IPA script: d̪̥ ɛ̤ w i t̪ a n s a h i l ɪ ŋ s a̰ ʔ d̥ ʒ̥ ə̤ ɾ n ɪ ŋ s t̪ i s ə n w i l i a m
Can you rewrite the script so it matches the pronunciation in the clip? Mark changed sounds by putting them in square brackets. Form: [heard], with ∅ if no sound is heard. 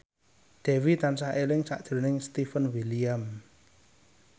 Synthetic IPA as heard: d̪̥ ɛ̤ w i t̪ a n s a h [e] l ɪ ŋ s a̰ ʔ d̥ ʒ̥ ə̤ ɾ n ɪ ŋ s t̪ i [f] ə n w i l i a m